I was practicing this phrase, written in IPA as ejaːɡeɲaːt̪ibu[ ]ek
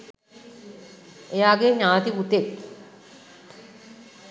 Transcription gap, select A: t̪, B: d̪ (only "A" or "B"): A